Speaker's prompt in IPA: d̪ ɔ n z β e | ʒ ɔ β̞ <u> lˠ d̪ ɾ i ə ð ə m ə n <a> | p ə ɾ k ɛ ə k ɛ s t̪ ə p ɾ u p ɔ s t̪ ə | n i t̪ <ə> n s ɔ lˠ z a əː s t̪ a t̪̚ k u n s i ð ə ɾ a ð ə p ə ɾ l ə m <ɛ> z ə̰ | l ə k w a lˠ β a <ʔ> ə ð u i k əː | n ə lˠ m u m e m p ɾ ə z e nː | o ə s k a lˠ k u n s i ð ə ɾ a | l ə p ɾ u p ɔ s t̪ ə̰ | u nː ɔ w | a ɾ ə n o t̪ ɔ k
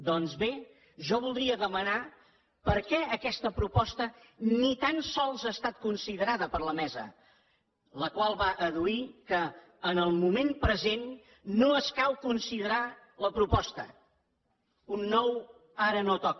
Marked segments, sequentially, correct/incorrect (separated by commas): correct, correct, incorrect, correct, correct